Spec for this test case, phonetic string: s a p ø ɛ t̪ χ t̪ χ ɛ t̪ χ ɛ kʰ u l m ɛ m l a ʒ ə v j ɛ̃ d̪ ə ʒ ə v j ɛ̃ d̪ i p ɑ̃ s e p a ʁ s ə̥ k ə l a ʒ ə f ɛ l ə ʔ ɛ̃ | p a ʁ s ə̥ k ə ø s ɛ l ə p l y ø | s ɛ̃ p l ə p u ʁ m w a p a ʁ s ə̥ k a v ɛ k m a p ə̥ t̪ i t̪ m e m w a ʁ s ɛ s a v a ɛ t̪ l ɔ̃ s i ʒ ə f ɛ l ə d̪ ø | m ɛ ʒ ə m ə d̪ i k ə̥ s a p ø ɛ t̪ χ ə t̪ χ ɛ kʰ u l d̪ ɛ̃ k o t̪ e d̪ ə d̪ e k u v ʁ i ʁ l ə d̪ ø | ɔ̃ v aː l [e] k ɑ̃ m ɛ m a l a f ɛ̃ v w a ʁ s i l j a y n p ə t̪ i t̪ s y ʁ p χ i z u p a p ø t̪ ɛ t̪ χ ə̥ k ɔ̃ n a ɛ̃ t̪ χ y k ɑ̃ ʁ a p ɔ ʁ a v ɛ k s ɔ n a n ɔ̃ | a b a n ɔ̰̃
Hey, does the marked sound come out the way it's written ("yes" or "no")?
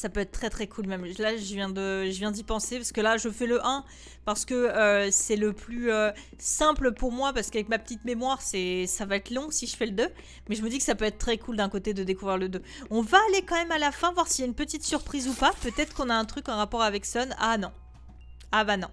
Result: yes